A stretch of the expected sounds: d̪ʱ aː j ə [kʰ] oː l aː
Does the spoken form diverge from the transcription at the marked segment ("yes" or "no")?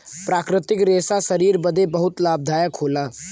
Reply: no